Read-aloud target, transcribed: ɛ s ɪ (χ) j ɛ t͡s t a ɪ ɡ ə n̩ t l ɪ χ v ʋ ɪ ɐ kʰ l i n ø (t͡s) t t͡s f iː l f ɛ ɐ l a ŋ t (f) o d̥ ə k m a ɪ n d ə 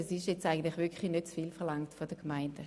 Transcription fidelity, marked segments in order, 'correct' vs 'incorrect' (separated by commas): incorrect, incorrect, correct